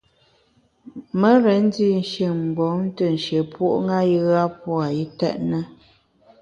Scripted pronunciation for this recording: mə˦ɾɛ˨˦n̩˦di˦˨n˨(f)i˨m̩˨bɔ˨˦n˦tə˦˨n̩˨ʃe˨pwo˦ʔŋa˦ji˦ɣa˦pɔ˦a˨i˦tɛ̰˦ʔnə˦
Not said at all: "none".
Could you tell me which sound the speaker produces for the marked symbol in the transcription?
ʃ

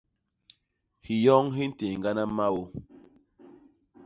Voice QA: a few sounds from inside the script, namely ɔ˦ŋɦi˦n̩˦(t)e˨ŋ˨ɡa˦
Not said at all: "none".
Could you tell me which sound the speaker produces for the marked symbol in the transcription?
t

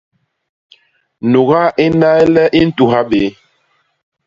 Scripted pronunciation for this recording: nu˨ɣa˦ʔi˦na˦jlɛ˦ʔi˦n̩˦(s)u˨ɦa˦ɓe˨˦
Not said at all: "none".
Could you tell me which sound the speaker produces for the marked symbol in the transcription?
t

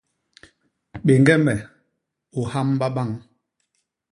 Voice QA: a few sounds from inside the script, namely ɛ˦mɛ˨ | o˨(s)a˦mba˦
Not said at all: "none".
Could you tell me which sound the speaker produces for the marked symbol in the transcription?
h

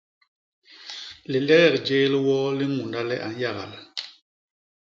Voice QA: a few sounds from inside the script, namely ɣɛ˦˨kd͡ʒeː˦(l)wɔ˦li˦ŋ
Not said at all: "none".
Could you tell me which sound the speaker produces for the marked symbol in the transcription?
l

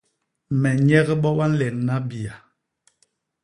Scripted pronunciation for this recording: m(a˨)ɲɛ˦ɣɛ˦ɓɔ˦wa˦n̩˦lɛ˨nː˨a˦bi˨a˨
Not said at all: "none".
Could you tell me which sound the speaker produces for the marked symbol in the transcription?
ɛ˨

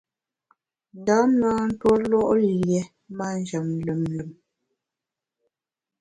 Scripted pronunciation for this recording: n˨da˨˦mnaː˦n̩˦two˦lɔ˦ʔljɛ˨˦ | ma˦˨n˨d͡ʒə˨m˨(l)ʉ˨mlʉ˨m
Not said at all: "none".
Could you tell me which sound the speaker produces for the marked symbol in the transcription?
l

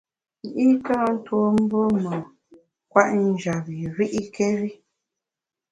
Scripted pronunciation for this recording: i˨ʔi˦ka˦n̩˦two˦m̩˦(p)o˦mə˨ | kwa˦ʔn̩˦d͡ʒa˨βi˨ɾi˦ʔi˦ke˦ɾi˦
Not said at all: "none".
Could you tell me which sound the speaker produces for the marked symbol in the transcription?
b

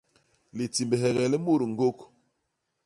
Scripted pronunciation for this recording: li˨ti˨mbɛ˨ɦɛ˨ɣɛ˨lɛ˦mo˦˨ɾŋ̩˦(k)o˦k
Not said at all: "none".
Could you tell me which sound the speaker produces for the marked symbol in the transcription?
ɡ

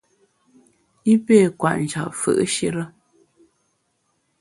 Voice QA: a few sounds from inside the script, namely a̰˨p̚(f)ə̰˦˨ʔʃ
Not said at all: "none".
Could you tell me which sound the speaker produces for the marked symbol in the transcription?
f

